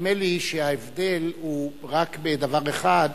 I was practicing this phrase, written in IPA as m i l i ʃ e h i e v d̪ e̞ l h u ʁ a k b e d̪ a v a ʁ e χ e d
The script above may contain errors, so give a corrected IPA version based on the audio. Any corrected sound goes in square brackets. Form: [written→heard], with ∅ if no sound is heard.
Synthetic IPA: m [i→e] l i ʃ e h [i→a] e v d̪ e̞ l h u ʁ a k b e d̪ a v a ʁ e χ [e→a] d